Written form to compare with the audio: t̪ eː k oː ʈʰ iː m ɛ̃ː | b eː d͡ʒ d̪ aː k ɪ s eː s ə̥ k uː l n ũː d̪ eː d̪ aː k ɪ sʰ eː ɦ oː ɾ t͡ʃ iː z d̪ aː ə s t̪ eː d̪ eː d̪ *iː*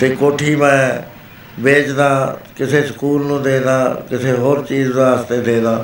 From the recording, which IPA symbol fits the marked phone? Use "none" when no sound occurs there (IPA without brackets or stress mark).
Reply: aː